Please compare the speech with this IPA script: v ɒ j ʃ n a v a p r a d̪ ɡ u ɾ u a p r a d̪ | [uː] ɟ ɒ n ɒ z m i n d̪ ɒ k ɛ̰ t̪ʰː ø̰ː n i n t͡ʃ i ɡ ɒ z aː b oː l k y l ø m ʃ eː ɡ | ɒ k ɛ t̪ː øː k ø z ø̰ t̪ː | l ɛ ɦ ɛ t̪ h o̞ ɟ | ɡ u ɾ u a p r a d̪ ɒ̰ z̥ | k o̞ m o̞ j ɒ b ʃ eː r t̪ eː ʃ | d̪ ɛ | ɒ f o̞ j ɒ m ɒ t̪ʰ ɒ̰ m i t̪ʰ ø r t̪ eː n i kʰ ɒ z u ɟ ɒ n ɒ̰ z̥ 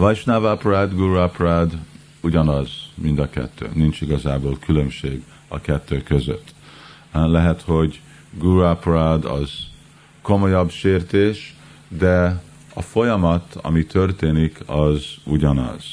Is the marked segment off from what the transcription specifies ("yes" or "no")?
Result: yes